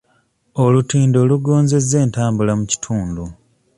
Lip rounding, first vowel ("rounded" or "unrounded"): rounded